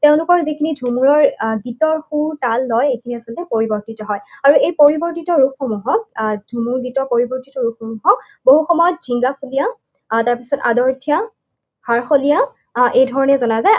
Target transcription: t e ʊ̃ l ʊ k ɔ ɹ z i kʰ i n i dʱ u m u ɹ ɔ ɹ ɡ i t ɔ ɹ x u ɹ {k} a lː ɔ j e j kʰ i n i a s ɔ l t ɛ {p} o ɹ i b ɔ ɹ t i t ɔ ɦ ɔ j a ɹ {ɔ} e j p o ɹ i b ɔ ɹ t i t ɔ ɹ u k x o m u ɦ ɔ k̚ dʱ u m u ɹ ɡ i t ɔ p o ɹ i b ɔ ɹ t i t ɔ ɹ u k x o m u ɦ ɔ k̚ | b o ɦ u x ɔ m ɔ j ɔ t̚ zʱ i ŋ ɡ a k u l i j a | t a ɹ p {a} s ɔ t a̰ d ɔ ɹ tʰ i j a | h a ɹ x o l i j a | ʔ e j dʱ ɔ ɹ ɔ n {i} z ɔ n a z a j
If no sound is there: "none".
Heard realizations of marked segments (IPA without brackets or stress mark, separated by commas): t, p, u, i, ɛ